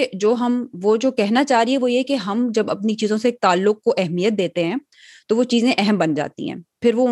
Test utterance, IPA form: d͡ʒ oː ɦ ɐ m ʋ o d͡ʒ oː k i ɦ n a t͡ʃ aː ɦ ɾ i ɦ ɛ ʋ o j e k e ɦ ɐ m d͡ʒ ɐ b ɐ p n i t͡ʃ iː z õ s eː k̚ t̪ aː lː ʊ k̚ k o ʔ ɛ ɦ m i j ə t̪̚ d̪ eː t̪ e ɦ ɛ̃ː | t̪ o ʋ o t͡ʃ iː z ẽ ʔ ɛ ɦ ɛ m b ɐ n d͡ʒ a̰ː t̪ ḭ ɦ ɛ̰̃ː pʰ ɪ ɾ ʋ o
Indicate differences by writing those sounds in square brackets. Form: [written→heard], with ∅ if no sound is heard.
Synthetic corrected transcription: d͡ʒ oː ɦ ɐ m ʋ o d͡ʒ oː k [i→ɛ] ɦ n a t͡ʃ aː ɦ ɾ i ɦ ɛ ʋ o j e k e ɦ ɐ m d͡ʒ ɐ b ɐ p n i t͡ʃ iː z õ s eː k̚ t̪ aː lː ʊ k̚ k o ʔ ɛ ɦ m i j ə t̪̚ d̪ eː t̪ e ɦ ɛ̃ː | t̪ o ʋ o t͡ʃ iː z ẽ ʔ ɛ ɦ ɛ m b ɐ n d͡ʒ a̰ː t̪ ḭ ɦ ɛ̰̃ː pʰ ɪ ɾ ʋ o